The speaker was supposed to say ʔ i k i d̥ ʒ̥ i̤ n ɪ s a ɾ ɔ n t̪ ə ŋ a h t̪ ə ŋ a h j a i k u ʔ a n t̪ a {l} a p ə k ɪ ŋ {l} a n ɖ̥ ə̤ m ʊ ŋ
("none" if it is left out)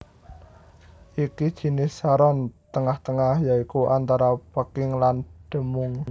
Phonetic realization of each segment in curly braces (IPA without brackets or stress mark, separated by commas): ɾ, l